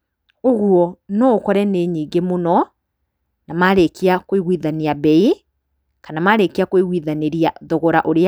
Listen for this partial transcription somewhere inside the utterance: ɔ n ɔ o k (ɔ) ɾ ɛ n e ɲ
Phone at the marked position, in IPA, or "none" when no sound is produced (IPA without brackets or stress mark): ɔ